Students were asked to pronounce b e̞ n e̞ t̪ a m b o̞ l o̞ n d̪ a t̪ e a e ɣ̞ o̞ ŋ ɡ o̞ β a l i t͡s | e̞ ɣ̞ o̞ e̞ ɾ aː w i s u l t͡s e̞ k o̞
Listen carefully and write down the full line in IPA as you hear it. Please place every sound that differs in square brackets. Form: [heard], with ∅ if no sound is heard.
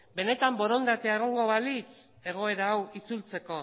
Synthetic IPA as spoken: b e̞ n e̞ t̪ a m b o̞ [ɾ] o̞ n d̪ a t̪ e a e ɣ̞ o̞ ŋ ɡ o̞ β a l i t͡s | e̞ ɣ̞ o̞ e̞ ɾ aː w i [t͡s] u l t͡s e̞ k o̞